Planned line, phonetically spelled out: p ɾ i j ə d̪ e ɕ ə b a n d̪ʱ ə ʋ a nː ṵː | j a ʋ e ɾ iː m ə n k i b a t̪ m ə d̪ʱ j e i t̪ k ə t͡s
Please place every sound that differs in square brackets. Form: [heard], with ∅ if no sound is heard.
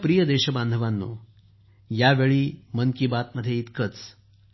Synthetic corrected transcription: p ɾ i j ə d̪ e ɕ ə b a n d̪ʱ ə ʋ a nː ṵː | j a ʋ e [ɭ] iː m ə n k i b a t̪ m ə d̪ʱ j e i t̪ k ə t͡s